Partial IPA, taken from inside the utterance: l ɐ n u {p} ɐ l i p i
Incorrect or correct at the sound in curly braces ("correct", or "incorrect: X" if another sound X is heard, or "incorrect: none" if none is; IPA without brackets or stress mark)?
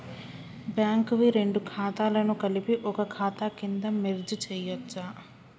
incorrect: k